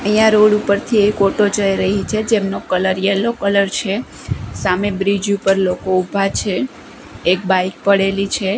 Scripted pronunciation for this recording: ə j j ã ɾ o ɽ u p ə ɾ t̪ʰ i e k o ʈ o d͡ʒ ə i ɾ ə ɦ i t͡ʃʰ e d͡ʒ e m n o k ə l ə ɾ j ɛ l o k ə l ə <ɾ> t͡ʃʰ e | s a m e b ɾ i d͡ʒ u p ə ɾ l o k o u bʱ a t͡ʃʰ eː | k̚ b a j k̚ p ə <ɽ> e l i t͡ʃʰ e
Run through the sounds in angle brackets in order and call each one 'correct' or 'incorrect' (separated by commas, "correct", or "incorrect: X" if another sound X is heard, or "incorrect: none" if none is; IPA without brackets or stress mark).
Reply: correct, correct